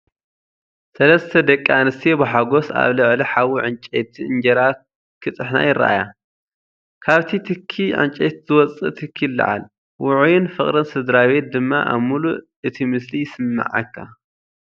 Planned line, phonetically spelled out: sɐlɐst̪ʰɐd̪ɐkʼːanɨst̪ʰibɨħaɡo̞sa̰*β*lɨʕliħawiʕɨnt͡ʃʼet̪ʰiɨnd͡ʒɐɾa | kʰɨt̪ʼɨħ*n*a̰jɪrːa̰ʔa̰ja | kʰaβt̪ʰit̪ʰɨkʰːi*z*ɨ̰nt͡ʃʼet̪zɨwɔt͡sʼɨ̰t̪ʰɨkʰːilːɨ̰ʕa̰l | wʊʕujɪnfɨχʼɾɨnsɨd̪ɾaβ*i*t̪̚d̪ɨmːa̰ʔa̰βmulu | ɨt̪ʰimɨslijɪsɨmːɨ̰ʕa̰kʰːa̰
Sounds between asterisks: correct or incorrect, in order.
correct, correct, incorrect: ʕ, incorrect: e

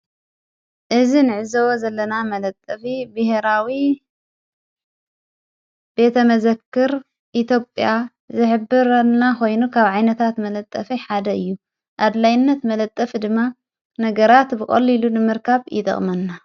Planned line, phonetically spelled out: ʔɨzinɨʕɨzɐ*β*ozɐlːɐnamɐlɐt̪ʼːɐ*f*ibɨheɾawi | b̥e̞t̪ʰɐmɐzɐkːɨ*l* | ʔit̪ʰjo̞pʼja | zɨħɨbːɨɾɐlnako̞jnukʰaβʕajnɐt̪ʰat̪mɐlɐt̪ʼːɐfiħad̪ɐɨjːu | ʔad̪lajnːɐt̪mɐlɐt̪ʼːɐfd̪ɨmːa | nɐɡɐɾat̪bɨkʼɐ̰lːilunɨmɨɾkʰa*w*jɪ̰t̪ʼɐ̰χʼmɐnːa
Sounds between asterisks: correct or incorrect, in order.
incorrect: w, correct, incorrect: ɾ, incorrect: β

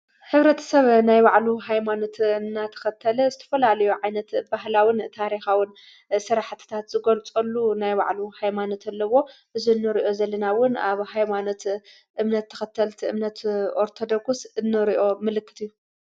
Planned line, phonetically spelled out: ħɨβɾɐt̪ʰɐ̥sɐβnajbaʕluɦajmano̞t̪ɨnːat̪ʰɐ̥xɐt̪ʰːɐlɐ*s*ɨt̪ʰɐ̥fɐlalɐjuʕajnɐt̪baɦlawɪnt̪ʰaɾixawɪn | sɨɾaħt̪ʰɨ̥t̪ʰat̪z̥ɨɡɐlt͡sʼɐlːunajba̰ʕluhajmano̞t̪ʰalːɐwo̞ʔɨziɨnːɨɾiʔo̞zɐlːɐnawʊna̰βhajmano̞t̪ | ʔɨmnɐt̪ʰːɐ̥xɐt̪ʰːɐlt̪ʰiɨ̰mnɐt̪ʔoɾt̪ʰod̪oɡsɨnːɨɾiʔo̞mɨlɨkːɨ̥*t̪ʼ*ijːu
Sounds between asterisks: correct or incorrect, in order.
incorrect: z, incorrect: t̪

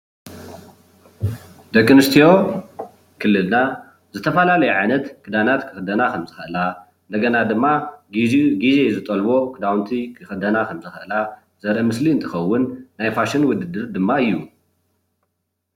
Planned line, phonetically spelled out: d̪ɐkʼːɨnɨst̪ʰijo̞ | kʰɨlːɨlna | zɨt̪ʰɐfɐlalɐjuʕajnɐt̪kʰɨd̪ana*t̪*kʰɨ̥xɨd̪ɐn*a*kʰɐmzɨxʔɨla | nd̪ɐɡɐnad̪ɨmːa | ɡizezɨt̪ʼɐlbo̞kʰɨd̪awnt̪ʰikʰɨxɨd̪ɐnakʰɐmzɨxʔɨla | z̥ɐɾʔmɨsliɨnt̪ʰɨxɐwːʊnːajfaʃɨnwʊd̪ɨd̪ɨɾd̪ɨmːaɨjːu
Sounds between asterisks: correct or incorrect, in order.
correct, correct

